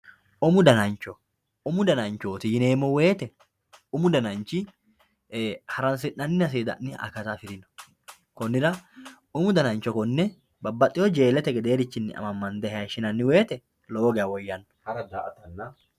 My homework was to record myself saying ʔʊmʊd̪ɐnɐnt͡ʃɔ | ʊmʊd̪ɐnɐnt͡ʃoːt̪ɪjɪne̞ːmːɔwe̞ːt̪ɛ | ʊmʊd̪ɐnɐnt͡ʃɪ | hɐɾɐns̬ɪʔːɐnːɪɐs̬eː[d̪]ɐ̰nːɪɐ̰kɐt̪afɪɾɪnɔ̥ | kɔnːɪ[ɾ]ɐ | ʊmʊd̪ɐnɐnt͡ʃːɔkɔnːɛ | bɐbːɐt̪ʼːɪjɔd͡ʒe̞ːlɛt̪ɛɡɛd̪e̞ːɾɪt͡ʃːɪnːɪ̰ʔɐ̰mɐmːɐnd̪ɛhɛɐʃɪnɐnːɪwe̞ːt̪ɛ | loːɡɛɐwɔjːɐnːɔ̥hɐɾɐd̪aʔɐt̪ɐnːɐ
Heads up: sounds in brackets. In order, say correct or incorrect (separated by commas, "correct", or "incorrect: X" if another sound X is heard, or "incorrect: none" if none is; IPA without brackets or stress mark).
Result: correct, correct